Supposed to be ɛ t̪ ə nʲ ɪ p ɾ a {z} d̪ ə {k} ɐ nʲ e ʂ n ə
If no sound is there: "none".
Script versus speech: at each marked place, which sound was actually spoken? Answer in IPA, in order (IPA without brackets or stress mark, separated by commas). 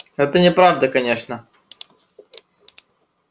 v, k